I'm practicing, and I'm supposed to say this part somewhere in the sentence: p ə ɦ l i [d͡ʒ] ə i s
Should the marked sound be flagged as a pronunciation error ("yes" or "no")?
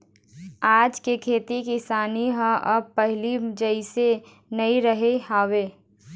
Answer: no